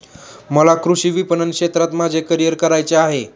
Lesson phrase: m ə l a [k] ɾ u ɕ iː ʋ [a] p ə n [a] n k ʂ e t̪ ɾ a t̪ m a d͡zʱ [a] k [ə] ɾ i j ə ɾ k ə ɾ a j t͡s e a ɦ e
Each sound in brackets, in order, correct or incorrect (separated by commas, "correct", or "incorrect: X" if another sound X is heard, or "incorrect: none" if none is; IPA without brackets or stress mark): correct, incorrect: i, incorrect: ə, incorrect: e, correct